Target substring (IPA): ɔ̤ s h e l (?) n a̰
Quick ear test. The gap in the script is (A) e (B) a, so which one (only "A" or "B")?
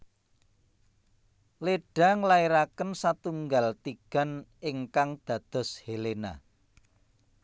A